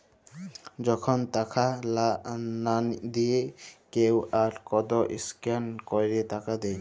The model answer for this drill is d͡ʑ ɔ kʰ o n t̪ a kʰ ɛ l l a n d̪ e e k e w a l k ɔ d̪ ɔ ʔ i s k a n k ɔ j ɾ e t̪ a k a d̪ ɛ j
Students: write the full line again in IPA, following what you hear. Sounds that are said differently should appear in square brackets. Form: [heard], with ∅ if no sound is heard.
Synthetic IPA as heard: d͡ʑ ɔ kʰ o n t̪ a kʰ [a] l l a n d̪ [i] e k e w a [ɾ] k ɔ d̪ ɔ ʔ i s k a n k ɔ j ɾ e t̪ a k a d̪ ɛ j